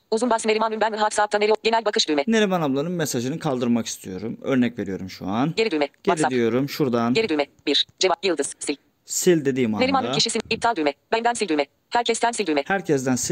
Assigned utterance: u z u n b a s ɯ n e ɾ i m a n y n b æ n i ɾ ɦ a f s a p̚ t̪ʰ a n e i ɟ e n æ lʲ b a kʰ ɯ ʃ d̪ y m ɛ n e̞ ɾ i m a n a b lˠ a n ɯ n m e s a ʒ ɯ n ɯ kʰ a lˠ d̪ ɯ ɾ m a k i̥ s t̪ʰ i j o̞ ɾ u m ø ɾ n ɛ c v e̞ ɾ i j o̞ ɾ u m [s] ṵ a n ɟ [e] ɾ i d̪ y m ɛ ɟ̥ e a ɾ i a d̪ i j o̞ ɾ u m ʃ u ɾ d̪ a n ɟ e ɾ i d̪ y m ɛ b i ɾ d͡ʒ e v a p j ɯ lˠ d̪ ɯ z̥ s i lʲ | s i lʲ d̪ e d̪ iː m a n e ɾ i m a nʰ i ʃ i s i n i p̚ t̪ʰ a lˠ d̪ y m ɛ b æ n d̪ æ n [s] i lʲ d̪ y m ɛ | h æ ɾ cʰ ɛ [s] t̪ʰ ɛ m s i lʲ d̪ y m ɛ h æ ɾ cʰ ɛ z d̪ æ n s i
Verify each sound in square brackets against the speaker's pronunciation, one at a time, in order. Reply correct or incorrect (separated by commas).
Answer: incorrect, correct, correct, correct